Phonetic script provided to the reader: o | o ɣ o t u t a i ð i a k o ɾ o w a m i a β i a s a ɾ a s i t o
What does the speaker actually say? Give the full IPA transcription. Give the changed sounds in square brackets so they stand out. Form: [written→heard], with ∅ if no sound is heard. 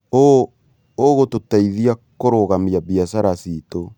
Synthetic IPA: o | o ɣ o t [u→o] t a i ð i a k o ɾ o [w→ɣ] a m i a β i a s a ɾ a s i t o